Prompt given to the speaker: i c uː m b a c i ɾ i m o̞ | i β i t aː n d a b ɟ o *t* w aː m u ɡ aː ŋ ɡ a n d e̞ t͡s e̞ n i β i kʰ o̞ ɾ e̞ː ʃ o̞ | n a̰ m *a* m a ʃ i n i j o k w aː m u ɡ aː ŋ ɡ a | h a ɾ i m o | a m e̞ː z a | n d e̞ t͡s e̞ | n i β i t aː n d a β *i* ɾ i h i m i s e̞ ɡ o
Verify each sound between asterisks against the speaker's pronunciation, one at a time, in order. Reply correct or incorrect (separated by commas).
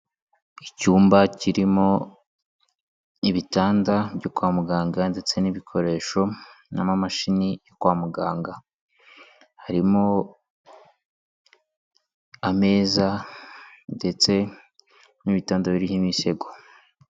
incorrect, correct, correct